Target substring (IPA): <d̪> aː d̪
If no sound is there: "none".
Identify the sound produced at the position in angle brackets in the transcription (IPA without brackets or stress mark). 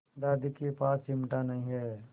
d̪